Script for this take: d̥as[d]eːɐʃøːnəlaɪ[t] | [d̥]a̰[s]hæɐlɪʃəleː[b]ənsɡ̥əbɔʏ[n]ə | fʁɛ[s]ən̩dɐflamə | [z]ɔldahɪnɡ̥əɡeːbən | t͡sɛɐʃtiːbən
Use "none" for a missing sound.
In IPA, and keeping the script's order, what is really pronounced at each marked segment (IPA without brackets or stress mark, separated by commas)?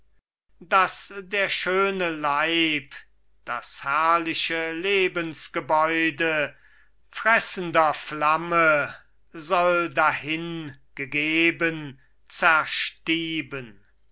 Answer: d, p, d̥, s, b, d, s, z